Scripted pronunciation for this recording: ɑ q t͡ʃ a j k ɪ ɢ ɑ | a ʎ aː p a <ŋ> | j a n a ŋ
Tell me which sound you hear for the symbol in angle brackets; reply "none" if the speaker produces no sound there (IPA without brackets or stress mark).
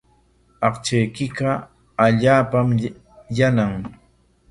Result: m